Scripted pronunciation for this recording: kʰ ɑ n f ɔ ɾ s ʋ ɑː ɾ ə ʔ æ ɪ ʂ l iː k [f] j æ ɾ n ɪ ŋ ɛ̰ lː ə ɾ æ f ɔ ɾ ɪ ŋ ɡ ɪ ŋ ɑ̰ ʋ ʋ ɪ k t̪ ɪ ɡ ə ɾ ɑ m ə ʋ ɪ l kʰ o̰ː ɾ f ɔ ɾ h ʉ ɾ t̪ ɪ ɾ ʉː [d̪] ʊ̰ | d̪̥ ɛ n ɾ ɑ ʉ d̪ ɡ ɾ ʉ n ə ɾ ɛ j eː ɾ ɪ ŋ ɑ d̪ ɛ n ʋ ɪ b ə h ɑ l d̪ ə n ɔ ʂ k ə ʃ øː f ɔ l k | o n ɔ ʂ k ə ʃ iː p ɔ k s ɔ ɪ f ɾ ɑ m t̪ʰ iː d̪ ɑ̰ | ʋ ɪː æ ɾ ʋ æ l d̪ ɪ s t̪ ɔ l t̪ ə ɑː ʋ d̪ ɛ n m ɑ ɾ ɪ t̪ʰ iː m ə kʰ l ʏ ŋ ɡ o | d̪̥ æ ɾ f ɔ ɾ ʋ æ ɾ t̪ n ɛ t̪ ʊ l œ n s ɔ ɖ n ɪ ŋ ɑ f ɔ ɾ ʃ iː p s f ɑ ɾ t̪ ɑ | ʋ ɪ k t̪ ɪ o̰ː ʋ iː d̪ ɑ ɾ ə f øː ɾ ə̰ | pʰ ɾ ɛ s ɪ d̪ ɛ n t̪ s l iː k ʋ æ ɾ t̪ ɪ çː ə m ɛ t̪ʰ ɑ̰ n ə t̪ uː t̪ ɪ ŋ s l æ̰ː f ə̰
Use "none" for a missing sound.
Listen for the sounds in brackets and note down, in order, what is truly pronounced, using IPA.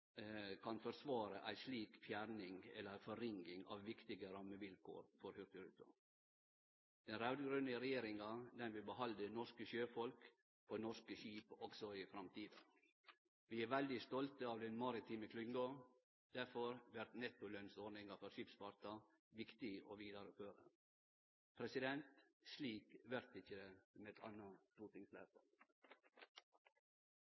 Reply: f, t̪

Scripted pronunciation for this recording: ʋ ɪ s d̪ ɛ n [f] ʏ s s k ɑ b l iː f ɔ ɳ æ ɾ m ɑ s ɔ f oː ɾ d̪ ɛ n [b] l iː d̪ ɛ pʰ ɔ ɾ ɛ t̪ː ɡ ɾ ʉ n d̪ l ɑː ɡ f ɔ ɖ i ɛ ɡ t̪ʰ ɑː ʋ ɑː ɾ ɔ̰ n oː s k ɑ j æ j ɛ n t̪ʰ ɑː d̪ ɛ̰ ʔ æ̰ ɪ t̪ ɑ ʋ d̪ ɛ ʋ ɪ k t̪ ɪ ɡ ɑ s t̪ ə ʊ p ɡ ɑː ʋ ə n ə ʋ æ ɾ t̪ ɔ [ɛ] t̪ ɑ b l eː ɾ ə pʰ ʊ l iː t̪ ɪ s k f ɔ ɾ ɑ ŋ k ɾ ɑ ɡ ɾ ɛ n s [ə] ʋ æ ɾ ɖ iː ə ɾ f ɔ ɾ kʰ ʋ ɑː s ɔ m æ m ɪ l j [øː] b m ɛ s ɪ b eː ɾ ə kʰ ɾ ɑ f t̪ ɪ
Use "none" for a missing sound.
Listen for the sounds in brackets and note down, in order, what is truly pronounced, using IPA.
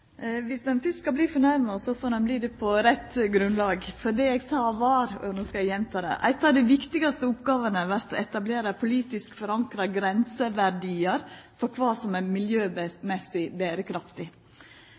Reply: f, b, ɛ, ə, øː

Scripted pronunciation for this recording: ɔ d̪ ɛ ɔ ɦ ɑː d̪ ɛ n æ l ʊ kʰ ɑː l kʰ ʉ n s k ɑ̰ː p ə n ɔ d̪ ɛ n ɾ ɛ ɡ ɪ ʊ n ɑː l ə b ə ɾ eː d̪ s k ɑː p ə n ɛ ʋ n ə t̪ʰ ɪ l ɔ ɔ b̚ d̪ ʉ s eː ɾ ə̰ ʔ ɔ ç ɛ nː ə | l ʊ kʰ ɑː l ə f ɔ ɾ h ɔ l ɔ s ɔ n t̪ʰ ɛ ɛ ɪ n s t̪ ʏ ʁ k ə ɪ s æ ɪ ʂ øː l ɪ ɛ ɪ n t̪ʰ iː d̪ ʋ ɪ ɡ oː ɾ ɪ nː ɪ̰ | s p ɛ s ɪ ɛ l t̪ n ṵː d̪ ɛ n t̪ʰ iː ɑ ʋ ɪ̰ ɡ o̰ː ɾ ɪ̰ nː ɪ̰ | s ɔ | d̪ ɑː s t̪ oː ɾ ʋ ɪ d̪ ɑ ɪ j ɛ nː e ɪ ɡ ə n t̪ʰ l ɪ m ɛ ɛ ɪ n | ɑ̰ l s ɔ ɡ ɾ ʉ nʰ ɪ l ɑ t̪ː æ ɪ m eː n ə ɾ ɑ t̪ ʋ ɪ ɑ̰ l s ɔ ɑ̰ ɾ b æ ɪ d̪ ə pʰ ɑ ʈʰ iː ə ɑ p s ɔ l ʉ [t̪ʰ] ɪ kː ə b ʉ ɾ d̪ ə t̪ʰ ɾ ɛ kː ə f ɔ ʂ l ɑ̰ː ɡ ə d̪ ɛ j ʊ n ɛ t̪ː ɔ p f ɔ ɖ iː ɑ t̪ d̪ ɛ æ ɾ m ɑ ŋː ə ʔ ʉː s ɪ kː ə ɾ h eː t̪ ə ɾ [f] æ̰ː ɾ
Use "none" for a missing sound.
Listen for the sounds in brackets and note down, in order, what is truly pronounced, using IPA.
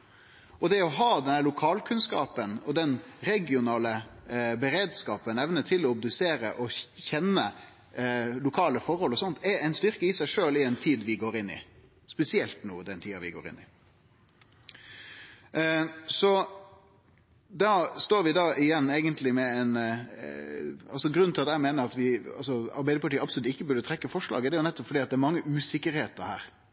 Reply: t̪, h

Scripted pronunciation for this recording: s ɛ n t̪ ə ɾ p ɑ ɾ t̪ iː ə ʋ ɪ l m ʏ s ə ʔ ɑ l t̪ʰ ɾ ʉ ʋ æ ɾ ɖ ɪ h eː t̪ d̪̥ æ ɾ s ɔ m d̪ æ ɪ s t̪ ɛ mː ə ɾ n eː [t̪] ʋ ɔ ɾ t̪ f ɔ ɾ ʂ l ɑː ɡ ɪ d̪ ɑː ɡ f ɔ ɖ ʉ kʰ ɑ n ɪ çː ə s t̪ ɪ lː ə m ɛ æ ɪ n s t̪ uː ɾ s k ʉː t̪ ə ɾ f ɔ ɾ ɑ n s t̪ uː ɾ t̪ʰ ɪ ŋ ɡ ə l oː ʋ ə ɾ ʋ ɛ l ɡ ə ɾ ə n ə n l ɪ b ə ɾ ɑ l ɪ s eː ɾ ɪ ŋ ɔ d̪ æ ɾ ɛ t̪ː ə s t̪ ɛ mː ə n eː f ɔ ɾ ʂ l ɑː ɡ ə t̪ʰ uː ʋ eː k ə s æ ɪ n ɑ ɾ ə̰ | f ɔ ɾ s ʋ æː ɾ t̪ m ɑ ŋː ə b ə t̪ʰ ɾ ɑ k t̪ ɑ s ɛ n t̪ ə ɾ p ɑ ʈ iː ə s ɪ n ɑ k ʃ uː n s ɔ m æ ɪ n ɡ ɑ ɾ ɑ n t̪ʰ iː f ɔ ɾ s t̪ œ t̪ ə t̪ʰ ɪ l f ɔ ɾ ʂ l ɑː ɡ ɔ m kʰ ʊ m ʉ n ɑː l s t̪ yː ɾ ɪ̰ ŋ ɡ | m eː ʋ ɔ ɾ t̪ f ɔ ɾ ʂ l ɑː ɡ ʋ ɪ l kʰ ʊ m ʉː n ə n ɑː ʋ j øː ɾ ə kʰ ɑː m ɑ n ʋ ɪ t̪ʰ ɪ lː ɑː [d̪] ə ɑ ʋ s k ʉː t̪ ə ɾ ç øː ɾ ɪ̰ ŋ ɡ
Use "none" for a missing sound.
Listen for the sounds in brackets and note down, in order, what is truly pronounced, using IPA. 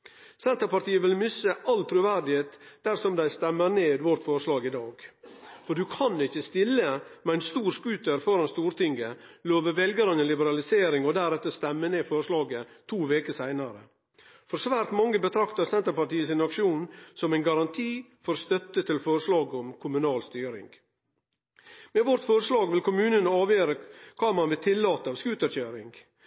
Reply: d̪, t̪

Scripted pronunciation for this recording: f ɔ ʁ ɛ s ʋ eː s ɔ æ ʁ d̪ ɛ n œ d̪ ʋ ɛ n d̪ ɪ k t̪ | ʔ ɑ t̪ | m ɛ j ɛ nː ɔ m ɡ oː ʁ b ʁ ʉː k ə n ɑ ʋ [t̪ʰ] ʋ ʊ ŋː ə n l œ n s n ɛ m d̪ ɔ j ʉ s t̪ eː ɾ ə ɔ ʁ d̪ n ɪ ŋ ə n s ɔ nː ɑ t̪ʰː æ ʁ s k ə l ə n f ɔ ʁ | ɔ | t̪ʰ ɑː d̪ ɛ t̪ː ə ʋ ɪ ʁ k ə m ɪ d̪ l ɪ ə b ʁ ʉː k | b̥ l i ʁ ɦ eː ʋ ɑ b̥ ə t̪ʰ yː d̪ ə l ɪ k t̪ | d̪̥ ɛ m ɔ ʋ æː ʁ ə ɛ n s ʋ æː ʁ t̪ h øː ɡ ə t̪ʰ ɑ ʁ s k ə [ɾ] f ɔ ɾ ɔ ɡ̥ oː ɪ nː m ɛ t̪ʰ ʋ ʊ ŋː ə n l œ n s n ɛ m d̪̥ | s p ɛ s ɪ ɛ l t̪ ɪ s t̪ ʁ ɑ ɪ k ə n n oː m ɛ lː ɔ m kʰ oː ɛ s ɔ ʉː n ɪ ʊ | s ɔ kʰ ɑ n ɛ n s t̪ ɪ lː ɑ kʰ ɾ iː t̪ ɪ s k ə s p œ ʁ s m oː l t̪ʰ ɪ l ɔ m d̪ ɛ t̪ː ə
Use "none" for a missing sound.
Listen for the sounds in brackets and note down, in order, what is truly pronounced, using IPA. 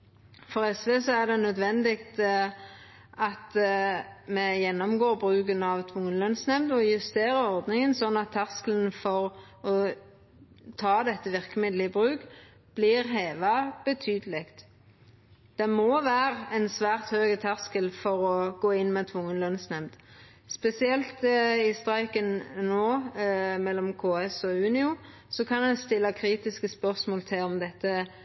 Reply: t̪ʰ, l

